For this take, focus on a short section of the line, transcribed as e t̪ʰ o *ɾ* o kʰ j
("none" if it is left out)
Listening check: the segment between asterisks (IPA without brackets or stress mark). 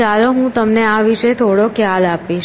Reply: ɽ